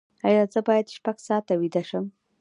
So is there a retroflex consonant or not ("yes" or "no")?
no